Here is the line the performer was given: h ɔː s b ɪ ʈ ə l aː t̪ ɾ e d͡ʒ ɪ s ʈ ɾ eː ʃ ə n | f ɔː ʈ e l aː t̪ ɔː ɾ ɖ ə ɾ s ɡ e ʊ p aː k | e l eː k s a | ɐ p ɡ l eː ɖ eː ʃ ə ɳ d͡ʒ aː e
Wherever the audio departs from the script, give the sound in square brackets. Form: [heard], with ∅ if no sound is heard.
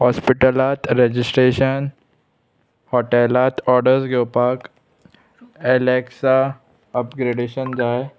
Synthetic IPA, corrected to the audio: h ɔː s [p] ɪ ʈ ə l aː t̪ ɾ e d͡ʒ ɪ s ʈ ɾ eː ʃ ə n | [h] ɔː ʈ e l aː t̪ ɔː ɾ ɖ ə ɾ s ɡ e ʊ p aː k | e l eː k s a | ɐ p ɡ [ɾ] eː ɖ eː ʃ ə [n] d͡ʒ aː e